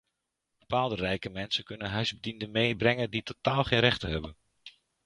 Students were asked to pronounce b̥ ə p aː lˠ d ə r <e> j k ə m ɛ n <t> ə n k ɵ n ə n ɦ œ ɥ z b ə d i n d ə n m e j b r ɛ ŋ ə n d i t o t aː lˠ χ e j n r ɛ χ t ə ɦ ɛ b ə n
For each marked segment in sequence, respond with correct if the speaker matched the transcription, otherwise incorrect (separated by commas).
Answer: incorrect, incorrect